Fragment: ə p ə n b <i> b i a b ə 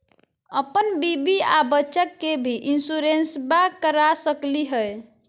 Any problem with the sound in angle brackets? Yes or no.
no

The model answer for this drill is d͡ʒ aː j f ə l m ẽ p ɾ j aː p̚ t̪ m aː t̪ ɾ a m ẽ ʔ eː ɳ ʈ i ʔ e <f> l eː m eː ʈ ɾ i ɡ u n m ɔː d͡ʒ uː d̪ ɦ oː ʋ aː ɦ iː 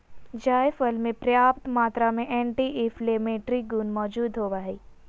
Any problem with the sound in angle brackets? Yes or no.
no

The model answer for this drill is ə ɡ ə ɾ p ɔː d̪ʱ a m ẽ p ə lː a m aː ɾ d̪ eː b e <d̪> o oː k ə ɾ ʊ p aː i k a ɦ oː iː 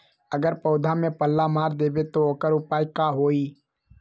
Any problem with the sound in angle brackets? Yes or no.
yes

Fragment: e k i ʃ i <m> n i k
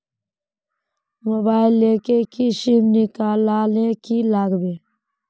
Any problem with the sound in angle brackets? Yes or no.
no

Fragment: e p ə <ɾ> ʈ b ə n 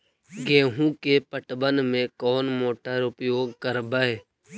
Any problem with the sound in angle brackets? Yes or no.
yes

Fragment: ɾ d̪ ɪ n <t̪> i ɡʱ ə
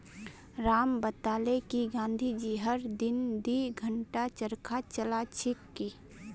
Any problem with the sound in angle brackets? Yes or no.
yes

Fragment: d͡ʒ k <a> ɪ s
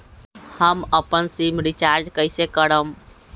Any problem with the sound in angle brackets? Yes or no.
yes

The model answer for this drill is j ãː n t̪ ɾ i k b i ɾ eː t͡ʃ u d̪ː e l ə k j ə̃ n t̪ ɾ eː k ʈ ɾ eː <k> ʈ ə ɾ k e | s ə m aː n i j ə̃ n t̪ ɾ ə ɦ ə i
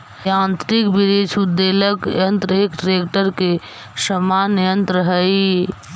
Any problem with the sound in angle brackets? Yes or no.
no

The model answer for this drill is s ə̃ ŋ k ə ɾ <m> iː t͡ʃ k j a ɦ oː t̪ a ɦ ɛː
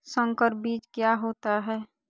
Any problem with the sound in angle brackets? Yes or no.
yes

